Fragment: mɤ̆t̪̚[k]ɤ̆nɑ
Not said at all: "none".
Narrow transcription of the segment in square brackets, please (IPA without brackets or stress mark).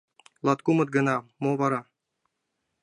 ɡ